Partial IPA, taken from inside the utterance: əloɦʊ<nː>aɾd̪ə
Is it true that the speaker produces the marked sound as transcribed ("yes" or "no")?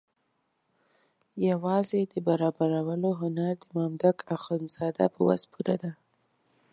no